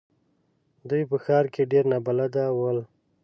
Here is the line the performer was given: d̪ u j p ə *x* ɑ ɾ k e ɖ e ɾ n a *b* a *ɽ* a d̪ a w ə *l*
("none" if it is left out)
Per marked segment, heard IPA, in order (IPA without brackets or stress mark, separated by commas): x, b, l, l